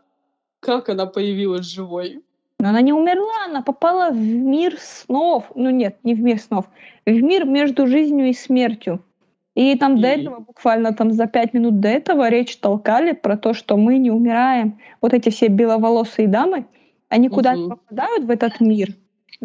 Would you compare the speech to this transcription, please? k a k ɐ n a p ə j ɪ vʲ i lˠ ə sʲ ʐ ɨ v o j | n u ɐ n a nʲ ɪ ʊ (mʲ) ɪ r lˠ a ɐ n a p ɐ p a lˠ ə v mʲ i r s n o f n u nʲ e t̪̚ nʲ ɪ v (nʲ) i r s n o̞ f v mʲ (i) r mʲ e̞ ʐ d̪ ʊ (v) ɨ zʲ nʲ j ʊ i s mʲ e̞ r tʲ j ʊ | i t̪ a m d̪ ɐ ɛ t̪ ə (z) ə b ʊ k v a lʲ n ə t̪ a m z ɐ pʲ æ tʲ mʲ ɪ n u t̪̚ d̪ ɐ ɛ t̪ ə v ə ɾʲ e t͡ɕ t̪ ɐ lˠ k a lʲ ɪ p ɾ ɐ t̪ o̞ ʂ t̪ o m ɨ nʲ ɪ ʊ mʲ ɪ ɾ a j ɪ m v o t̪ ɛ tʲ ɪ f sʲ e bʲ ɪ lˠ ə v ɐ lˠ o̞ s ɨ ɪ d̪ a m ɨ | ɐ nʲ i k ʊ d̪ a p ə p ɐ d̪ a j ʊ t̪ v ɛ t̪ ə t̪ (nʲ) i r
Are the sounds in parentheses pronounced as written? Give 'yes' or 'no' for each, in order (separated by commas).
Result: yes, no, yes, no, no, no